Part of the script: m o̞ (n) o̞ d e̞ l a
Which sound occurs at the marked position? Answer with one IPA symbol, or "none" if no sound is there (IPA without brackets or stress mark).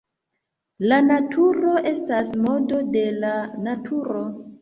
d